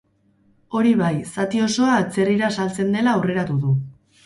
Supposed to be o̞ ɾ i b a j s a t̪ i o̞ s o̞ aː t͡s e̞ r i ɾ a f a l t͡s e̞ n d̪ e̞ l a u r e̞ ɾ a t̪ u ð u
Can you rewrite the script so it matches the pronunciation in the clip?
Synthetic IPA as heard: o̞ ɾ i β a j s a t̪ i o̞ s o̞ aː t͡s e̞ r i ɾ a s a l t͡s e̞ n d̪ e̞ l a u r e̞ ɾ a t̪ u ð u